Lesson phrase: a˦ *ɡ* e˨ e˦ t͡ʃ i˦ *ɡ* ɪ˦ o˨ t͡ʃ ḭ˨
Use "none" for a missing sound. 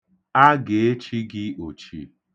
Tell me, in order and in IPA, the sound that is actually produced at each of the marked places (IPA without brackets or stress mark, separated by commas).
ɡ, ɡ